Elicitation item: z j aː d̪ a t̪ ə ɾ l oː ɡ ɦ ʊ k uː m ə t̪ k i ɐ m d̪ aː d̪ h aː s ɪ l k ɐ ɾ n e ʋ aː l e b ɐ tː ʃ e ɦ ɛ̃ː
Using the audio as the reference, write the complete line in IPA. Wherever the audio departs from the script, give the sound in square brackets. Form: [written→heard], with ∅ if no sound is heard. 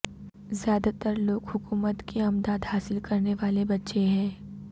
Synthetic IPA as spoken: z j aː d̪ a t̪ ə ɾ l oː ɡ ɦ ʊ k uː m ə t̪ k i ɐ m d̪ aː d̪ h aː s ɪ l k ɐ ɾ n e ʋ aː l e b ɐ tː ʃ e ɦ ɛ̃ː